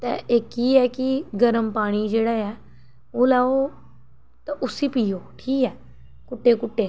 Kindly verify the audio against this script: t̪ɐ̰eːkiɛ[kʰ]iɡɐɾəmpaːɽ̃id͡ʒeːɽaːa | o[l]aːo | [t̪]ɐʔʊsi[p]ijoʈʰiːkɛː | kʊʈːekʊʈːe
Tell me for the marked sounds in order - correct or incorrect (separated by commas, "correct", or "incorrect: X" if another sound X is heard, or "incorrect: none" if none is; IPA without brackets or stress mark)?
incorrect: k, correct, correct, correct